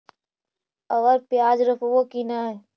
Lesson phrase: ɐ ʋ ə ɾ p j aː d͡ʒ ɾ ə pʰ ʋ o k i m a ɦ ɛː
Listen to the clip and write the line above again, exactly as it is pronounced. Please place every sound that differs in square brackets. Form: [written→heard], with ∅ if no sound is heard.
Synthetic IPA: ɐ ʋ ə ɾ p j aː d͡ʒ ɾ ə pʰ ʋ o k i [m→n] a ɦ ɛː